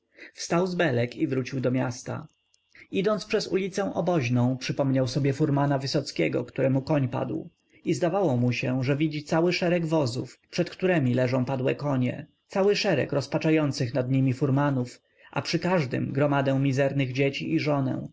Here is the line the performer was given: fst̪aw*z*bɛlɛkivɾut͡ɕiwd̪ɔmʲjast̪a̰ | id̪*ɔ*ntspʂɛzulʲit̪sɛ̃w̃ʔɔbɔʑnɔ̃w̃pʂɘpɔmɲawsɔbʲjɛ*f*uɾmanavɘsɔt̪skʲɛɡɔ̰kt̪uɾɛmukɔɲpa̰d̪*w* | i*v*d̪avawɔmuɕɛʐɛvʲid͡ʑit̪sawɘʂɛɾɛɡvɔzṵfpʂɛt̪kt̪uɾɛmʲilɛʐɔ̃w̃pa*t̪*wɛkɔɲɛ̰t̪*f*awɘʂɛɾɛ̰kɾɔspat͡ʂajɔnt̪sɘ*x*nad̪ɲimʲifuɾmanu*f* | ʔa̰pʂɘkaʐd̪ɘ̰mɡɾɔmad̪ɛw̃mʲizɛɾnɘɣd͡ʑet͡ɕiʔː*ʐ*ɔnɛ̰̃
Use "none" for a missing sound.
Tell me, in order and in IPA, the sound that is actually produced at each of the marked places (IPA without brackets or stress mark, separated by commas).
z, ɔ, f, w, z, d̪, s, x, f, ʐ